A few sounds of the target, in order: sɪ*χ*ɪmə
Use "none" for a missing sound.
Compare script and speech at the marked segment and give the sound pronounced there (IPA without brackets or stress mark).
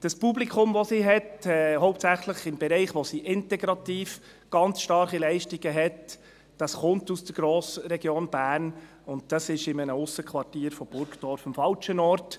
ʃ